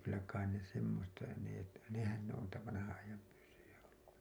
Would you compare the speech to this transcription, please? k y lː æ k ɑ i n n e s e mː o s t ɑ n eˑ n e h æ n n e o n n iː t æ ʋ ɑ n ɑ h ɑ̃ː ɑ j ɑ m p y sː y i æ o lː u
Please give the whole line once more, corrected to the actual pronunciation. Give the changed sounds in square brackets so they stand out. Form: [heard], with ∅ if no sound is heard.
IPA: k y lː æ k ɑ i n n e s e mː o s t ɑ n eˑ n e h æ n n e o n n iː t æ ʋ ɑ n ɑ h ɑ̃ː ɑ j ɑ m p y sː y [j] æ o lː u